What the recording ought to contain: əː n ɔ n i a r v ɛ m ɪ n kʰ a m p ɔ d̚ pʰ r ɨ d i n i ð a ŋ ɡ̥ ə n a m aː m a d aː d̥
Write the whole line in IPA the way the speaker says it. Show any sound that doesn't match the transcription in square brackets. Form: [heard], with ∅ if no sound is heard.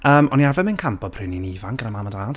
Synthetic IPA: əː [m] ɔ n i a r v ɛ m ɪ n kʰ a m p ɔ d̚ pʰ r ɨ [n] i n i [v] a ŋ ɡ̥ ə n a m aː m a d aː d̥

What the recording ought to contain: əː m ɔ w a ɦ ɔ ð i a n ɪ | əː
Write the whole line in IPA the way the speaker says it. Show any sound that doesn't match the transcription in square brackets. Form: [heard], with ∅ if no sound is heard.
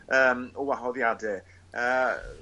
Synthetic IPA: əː m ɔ w a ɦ ɔ ð [j] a [d] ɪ | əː

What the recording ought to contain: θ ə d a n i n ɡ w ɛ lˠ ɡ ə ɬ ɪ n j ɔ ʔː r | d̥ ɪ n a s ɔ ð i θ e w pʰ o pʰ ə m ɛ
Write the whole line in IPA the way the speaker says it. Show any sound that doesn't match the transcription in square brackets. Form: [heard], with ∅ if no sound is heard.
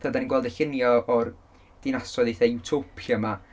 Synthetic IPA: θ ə d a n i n ɡ w ɛ lˠ [d] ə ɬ ɪ n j ɔ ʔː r | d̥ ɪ n a s ɔ ð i θ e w [tʰ] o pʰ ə m [a]

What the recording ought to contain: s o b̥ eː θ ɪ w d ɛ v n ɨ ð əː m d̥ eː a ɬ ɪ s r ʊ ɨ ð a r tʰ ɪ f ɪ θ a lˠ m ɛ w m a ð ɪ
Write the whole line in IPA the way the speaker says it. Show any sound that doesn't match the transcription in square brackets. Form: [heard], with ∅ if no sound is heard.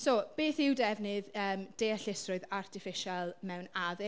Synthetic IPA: s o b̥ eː θ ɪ w d ɛ v n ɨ ð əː m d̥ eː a ɬ ɪ s r ʊ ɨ ð a r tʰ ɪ f ɪ [ʃ] a lˠ m ɛ w [n] a ð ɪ

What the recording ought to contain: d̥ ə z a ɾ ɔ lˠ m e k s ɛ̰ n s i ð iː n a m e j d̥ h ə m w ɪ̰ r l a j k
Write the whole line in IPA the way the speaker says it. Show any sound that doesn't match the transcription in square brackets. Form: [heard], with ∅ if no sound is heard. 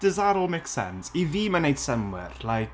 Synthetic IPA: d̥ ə z a ɾ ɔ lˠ m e k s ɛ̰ n s i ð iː [m] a [n] e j d̥ [s] ə m w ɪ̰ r l a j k

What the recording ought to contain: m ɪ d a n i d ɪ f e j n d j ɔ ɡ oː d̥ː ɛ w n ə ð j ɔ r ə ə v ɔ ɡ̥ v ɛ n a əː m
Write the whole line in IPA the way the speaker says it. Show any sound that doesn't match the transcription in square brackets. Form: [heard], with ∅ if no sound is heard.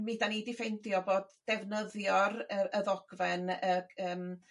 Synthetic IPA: m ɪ d a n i d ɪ f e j n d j ɔ [b] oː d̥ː ɛ [v] n ə ð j ɔ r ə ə [ð] ɔ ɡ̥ v ɛ n [ə] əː m

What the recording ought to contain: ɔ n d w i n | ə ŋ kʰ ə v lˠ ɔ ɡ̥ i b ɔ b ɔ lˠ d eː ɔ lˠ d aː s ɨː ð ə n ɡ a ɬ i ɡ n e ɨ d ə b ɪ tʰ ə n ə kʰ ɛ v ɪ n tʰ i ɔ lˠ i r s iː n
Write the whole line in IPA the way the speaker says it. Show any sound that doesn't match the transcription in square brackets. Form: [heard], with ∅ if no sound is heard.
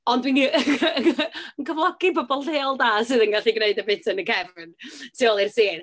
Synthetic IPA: ɔ n d w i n | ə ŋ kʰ ə v lˠ ɔ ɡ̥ i b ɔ b ɔ lˠ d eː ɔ lˠ d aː s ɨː ð ə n ɡ a ɬ i ɡ n e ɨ d ə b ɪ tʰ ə n ə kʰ ɛ v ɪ n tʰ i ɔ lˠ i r s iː n

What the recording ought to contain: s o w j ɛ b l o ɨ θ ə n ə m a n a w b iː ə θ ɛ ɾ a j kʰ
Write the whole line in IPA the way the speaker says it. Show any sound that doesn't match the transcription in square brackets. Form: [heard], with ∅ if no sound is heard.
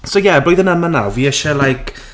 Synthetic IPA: s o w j ɛ b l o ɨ [ð] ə n ə m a n a w [v] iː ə [ʃ] ɛ [l] a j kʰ

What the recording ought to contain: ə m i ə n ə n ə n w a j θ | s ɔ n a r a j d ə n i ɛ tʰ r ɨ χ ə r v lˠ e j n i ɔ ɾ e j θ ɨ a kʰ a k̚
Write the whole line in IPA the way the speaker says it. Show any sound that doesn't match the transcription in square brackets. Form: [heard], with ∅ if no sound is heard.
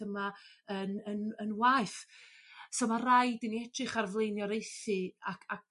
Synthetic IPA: ə m [a] ə n ə n ə n w a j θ | s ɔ [m] a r a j d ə n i ɛ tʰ r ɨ χ [a] r v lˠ e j n [j] ɔ ɾ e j θ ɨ a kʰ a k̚

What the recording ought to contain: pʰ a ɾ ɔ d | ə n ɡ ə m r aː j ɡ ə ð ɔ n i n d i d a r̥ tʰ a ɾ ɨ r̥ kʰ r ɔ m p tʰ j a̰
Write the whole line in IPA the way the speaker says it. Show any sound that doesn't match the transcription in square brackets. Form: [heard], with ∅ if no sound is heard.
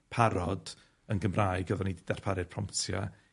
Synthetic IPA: pʰ a ɾ ɔ d | ə n ɡ ə m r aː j ɡ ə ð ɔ n i [∅] d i d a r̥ [pʰ] a ɾ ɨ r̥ [pʰ] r ɔ m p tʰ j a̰

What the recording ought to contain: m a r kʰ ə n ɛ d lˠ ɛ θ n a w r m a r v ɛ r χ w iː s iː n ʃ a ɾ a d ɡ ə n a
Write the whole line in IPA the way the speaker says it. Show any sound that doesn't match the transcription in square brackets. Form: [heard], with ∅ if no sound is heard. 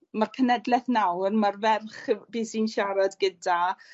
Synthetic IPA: m a r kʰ ə n ɛ d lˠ ɛ θ n a w r m a r v ɛ r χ [b] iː s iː n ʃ a ɾ a d ɡ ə [d] a

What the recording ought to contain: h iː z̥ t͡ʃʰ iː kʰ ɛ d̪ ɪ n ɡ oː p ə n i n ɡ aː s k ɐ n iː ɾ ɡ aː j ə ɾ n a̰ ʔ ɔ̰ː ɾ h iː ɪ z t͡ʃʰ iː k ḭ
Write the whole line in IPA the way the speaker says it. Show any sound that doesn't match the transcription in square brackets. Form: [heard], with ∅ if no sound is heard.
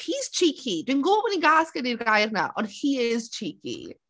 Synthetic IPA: h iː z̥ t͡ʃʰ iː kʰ [i] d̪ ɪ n ɡ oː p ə n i [∅] ɡ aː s k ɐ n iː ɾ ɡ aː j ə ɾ n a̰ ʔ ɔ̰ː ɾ h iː ɪ z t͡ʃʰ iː k ḭ

